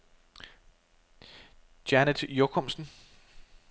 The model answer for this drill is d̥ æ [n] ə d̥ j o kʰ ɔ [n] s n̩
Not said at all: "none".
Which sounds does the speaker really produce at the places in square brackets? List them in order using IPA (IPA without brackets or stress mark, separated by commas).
n, m